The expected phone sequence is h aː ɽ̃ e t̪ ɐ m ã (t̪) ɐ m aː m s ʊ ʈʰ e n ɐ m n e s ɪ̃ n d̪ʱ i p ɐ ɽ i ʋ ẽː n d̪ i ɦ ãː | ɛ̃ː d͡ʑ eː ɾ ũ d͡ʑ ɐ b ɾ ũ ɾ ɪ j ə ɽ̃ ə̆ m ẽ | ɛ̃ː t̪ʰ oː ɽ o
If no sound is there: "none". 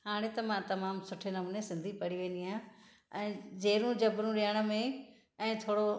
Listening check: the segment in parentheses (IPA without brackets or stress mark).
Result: t̪